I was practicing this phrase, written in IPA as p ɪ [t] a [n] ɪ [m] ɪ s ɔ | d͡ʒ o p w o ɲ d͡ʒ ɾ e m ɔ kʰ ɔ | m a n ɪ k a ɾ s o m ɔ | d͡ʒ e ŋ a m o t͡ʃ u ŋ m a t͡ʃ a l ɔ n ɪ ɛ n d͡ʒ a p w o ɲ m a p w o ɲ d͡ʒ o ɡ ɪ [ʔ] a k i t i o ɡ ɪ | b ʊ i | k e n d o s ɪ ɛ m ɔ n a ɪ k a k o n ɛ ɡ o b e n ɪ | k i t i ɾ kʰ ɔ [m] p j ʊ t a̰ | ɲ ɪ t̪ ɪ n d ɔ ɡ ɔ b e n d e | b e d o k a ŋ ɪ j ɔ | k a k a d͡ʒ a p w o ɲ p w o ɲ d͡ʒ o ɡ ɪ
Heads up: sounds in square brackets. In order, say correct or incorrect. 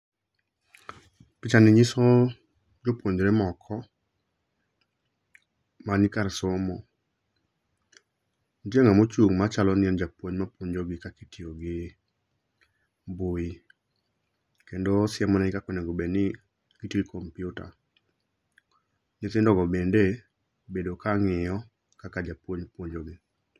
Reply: incorrect, correct, incorrect, incorrect, correct

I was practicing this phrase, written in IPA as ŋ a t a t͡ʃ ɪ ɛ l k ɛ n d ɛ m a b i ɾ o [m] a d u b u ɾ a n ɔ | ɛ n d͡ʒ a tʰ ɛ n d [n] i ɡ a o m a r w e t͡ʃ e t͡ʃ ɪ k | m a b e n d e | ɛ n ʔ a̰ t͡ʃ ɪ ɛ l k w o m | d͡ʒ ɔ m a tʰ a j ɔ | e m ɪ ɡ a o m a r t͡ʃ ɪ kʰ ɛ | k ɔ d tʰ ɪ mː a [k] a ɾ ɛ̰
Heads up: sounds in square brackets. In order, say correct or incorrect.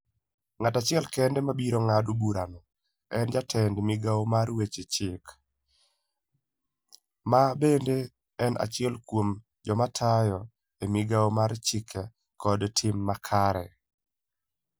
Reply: incorrect, incorrect, incorrect

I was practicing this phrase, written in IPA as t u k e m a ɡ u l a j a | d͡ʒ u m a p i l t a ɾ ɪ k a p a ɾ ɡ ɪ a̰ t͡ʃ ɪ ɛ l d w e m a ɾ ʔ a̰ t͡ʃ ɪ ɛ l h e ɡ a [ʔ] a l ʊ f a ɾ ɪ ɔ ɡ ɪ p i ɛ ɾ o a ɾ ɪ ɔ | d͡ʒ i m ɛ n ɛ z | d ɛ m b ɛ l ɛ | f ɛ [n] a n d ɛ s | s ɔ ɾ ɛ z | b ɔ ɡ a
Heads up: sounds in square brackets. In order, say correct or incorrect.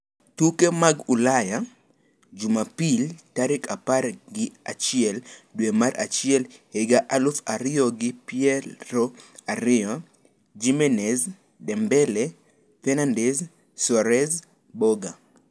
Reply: correct, correct

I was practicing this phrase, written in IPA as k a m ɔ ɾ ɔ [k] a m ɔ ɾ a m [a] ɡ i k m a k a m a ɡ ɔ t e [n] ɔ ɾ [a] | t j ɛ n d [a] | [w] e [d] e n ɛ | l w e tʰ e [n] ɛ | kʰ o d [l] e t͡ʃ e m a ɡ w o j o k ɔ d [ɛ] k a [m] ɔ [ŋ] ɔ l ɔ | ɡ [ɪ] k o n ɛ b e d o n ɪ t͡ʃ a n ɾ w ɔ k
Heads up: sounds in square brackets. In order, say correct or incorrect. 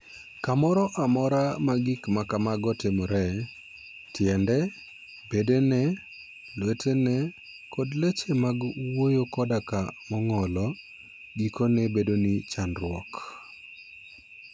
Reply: incorrect, correct, incorrect, incorrect, incorrect, incorrect, correct, correct, correct, incorrect, correct, correct, incorrect

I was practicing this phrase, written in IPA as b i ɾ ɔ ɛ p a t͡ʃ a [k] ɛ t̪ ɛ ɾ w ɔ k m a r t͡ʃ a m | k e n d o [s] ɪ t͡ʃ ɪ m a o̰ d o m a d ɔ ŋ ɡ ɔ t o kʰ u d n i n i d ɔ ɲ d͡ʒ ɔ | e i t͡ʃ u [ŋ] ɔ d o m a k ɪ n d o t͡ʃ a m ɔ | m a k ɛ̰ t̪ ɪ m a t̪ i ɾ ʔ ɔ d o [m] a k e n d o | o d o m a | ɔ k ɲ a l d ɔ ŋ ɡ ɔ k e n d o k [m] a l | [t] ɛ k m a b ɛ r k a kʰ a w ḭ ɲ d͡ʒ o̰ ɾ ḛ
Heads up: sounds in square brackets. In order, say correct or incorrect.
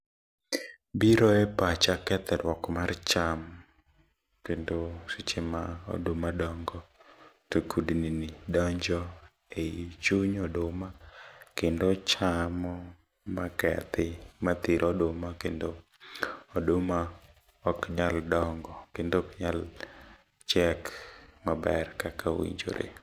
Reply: correct, correct, incorrect, correct, incorrect, incorrect

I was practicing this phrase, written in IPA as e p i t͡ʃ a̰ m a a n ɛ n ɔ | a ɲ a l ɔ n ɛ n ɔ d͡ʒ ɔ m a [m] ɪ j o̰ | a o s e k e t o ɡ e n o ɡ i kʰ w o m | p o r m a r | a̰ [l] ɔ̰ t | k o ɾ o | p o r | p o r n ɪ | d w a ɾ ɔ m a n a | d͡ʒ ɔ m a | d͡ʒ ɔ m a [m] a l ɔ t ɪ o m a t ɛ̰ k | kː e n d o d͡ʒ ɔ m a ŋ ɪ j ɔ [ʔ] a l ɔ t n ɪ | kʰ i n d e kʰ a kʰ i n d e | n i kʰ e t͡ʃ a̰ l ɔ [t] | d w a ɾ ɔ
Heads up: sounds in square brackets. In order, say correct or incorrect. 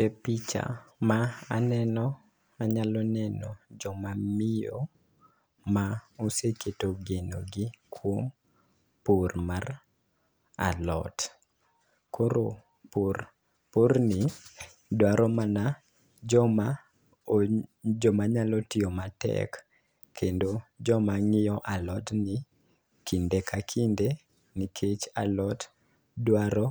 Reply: correct, correct, incorrect, correct, correct

